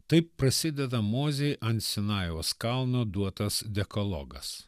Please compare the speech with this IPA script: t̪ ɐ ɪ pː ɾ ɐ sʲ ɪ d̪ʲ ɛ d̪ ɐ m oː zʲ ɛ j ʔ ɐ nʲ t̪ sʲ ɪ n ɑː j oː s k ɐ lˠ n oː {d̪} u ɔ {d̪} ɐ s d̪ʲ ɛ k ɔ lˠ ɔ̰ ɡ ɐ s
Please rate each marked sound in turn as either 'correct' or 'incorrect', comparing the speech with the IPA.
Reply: correct, incorrect: t̪

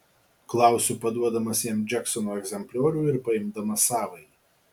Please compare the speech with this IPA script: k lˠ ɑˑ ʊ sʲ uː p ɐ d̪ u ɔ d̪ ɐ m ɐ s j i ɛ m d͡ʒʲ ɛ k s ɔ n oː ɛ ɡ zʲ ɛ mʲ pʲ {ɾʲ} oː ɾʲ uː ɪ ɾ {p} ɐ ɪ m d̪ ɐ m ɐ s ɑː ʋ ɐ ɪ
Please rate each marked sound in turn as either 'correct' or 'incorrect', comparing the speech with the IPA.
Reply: incorrect: lʲ, correct

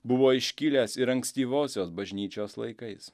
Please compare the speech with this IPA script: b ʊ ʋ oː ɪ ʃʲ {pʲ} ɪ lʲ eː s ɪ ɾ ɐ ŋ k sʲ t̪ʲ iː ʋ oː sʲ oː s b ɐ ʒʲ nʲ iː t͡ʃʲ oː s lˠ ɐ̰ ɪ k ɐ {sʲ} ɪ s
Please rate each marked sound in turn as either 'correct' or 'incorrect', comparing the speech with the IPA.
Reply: incorrect: kʲ, incorrect: none

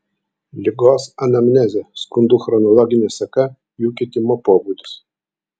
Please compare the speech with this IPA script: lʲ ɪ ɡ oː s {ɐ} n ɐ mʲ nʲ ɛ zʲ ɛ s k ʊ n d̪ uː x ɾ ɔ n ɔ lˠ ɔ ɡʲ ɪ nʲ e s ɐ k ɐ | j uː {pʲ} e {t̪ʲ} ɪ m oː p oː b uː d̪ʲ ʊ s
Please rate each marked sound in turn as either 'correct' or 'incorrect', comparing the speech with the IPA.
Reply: correct, incorrect: kʲ, correct

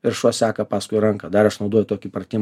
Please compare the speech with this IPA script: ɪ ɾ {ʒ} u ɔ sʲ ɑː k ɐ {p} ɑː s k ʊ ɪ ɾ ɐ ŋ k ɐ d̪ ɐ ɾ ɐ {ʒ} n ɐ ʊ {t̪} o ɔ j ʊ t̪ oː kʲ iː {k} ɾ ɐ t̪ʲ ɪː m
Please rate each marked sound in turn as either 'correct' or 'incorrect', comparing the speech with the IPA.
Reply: incorrect: ʃ, correct, incorrect: ʃ, incorrect: d̪, incorrect: p

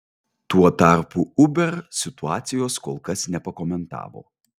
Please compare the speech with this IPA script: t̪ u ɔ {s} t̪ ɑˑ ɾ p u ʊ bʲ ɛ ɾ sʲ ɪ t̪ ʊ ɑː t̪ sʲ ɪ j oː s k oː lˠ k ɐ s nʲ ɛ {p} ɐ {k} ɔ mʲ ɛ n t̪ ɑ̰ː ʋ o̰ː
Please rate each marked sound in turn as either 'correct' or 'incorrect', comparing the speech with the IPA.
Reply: incorrect: none, correct, correct

